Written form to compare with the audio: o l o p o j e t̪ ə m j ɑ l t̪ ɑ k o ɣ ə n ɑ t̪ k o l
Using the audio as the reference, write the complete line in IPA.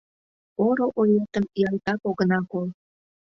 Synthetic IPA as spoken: o ɾ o ʔ o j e t̪ ə m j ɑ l t̪ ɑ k o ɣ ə n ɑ k o l